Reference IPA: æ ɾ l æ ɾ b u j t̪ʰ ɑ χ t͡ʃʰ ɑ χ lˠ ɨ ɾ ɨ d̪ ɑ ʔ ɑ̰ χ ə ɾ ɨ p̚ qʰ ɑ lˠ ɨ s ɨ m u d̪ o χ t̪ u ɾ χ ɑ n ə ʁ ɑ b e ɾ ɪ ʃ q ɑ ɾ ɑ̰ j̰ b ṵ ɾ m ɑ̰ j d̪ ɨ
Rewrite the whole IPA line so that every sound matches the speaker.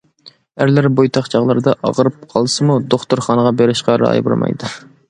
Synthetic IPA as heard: æ ɾ l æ ɾ b o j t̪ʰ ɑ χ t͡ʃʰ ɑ ʁ lˠ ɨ ɾ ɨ d̪ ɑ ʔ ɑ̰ ʁ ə ɾ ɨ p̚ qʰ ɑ lˠ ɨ s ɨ m u d̪ o χ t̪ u ɾ χ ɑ n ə ʁ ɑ b e ɾ ɪ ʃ q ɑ ɾ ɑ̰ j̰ b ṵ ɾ m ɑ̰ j d̪ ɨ